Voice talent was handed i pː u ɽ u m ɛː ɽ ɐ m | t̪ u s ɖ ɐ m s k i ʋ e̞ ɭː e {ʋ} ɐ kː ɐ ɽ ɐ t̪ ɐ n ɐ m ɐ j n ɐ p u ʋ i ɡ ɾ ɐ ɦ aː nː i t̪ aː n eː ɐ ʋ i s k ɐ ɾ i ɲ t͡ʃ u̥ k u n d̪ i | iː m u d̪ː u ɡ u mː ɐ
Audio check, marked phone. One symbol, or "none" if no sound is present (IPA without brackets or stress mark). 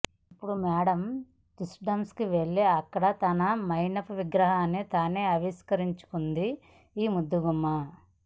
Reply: none